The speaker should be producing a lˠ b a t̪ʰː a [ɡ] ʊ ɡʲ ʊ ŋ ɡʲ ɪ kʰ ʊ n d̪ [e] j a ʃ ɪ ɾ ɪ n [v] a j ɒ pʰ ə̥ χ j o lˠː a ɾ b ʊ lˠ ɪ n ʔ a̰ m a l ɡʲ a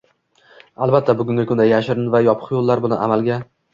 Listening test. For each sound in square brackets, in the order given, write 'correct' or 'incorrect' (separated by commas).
incorrect, incorrect, correct